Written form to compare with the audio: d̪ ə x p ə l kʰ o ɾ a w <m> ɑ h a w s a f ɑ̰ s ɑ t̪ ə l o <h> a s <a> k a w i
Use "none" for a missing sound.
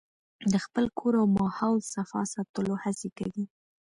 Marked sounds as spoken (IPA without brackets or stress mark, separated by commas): m, h, e